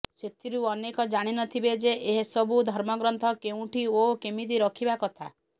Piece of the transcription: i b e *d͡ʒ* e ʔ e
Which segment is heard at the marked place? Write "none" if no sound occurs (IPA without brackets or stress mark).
d͡ʒ